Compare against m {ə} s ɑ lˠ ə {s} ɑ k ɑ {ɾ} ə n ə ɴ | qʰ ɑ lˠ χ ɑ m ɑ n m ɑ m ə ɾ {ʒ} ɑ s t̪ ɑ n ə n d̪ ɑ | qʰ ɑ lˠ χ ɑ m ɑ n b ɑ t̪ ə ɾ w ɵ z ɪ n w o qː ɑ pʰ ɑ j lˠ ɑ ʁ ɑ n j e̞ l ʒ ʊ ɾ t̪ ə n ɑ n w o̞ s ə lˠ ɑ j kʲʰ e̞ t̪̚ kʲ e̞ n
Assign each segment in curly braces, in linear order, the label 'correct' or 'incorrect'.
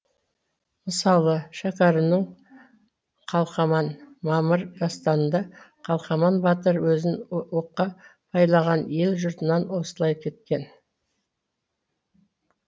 correct, incorrect: ʃ, correct, correct

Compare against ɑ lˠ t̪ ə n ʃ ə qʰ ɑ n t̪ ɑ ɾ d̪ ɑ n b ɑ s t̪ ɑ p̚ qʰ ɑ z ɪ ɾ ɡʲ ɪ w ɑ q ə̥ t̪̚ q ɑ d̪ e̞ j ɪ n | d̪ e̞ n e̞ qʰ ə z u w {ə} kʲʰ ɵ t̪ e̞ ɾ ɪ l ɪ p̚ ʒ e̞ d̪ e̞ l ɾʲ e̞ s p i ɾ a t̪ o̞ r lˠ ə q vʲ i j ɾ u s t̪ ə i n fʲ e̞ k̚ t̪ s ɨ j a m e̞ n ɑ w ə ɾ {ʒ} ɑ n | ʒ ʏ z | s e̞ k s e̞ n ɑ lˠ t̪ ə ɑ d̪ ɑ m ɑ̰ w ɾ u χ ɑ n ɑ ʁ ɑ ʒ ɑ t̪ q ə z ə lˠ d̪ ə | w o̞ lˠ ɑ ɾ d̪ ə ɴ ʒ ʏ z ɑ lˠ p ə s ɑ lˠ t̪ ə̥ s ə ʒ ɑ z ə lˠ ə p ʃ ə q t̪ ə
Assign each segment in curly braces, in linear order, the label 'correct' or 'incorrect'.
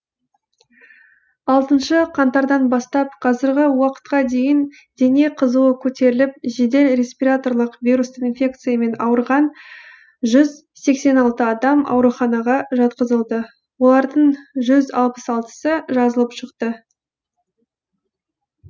correct, incorrect: ʁ

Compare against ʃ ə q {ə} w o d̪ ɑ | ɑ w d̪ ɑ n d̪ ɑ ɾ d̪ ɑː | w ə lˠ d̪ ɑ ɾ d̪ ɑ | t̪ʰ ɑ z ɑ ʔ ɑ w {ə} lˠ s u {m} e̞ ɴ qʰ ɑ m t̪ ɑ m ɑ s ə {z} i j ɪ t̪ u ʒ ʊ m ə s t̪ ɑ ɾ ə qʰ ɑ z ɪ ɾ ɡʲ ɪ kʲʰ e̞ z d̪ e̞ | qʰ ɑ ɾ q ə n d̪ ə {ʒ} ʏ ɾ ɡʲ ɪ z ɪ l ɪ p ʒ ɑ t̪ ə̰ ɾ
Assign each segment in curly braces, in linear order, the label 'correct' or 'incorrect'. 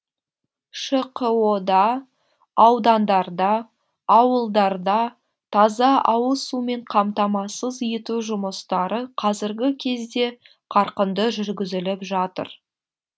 correct, correct, correct, correct, correct

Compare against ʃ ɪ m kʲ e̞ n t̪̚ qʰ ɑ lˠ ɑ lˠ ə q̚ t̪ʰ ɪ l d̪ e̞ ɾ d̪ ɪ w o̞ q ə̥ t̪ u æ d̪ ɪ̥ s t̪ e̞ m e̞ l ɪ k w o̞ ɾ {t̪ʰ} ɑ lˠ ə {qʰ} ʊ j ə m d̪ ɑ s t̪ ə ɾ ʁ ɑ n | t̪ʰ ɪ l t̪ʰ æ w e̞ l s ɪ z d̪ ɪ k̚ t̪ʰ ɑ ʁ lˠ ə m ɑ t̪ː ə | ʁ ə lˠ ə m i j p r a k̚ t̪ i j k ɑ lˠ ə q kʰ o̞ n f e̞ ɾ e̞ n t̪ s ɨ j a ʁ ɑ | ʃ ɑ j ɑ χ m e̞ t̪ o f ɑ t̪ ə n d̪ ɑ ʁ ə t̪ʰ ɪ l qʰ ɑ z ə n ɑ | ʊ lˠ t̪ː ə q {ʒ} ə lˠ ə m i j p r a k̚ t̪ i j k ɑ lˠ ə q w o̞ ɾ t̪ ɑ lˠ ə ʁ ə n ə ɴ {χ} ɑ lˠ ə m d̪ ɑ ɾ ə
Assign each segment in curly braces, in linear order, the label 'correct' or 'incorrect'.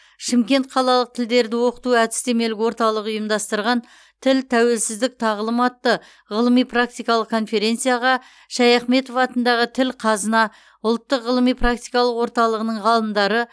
incorrect: t̪, incorrect: q, incorrect: ʁ, incorrect: ʁ

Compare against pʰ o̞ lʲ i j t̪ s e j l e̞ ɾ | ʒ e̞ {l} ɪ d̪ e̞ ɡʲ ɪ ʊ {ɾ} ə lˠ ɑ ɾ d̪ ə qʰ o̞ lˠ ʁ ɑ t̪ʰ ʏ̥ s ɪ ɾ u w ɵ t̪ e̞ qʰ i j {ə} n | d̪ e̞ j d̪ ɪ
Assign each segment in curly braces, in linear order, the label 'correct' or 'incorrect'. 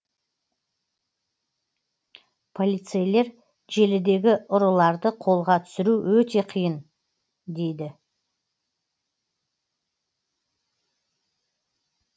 correct, correct, correct

